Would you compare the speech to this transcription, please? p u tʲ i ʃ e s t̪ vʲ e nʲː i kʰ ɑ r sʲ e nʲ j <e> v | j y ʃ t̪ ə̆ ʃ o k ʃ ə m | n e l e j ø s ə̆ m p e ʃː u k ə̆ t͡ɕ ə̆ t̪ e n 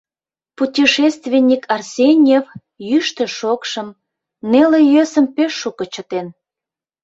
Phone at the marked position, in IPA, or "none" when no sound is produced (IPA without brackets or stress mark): e